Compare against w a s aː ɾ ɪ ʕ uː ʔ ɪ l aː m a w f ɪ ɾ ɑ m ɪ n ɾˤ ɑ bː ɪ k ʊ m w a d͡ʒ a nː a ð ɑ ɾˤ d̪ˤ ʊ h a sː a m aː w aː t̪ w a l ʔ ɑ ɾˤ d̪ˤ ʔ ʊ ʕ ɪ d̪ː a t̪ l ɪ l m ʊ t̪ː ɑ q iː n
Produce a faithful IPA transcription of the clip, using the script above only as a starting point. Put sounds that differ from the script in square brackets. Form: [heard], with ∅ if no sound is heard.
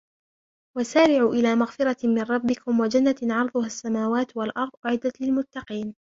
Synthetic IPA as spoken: w a s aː ɾ ɪ ʕ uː ʔ ɪ l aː m a [ɣ] f ɪ ɾ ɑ m ɪ n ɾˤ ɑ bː ɪ k ʊ m w a d͡ʒ a nː a [ʕ] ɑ ɾˤ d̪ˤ ʊ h a sː a m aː w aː t̪ w a l ʔ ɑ ɾˤ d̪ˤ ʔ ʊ ʕ ɪ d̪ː a t̪ l ɪ l m ʊ t̪ː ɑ q iː n